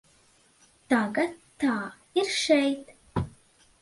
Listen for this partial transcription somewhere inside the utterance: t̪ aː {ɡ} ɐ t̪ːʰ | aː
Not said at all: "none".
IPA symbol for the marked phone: ɡ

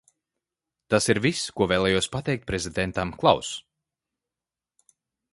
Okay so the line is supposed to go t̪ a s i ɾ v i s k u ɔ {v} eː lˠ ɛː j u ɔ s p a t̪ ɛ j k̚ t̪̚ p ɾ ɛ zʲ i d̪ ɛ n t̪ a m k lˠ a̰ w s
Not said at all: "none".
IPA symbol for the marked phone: v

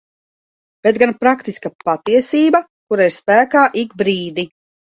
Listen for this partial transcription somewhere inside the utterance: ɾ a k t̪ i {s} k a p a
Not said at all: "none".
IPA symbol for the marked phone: s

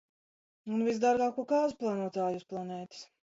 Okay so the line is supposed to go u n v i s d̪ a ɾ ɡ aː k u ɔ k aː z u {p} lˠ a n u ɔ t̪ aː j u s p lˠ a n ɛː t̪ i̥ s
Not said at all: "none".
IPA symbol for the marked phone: p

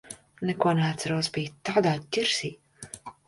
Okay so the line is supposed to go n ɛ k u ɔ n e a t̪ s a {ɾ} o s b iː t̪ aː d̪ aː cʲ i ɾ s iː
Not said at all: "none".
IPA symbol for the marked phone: ɾ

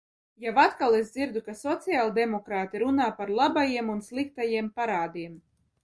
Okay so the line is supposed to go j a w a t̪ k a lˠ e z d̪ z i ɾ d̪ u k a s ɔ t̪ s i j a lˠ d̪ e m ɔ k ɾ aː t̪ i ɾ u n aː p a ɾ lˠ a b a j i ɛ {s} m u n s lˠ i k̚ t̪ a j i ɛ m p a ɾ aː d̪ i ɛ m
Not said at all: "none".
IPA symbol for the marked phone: none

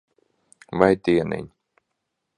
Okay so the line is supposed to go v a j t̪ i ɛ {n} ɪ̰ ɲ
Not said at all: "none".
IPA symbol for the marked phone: n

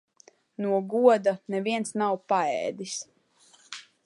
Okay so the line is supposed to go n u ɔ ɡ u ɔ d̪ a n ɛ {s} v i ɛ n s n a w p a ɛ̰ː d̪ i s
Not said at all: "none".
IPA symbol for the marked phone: none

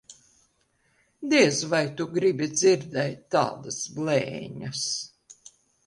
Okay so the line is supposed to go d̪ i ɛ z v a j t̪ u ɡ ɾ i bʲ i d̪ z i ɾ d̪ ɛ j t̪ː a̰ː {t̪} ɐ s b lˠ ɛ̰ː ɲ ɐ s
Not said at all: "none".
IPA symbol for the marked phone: d̪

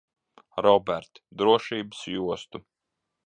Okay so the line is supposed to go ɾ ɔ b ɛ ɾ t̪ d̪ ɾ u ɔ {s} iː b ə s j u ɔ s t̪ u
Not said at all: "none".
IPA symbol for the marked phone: ʃ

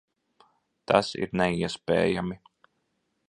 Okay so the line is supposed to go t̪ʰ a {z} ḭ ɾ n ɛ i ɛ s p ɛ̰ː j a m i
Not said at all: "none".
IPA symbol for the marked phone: s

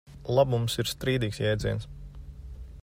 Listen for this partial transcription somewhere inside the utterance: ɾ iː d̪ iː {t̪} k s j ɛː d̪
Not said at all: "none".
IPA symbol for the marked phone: none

